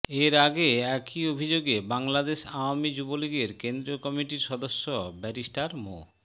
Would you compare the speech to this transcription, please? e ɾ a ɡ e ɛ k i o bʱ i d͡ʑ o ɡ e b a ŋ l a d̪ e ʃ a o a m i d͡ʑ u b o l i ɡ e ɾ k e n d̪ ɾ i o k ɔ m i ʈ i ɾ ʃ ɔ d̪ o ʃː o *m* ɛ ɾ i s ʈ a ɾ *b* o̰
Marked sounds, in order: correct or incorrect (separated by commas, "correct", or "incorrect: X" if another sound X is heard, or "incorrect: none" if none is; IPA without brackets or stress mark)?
incorrect: b, incorrect: m